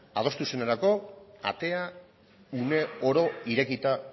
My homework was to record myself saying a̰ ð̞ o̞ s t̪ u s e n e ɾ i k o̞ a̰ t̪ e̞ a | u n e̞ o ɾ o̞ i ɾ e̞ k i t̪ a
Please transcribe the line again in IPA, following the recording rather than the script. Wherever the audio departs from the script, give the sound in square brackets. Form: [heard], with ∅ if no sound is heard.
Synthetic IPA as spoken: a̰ ð̞ o̞ s t̪ u s e n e ɾ [a] k o̞ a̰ t̪ e̞ a | u n e̞ o ɾ o̞ i ɾ e̞ k i t̪ a